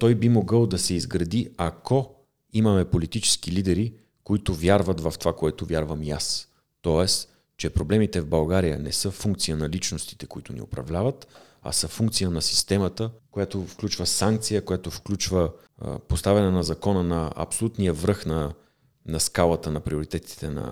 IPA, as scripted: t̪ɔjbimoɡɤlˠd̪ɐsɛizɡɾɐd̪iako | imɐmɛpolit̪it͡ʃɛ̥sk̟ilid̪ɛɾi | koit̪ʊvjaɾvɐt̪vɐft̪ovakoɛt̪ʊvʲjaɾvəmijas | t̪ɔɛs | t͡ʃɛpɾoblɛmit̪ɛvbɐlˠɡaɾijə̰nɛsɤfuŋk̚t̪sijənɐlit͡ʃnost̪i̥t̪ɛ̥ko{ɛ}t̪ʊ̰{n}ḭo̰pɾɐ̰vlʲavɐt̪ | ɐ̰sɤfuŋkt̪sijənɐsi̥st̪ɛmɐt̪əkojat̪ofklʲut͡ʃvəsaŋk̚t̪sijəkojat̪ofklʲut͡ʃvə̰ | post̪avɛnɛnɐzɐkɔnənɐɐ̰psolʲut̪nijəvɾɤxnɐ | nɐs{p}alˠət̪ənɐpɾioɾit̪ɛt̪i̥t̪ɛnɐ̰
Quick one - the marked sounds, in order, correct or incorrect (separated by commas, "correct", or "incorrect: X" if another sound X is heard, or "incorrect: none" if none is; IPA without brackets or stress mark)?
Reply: incorrect: i, correct, incorrect: k